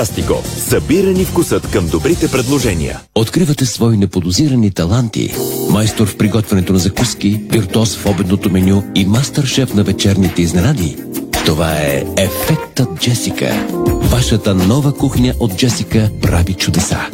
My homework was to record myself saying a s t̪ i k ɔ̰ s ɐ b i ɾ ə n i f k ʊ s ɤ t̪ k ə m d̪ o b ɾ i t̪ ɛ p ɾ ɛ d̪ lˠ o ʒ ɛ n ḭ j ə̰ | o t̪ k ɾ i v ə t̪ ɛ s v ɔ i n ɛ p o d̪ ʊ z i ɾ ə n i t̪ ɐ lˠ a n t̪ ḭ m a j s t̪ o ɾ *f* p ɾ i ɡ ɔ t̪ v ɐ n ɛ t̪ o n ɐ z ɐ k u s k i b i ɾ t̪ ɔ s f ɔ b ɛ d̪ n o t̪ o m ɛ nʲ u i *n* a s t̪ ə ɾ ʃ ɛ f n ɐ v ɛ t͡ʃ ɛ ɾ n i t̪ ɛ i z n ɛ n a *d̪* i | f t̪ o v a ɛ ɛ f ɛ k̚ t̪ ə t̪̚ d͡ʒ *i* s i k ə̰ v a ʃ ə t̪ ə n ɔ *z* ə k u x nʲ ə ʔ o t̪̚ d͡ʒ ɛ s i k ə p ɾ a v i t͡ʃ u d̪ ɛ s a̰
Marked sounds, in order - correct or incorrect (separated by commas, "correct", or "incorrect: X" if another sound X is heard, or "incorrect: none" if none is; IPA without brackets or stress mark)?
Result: correct, incorrect: m, correct, incorrect: ɛ, incorrect: v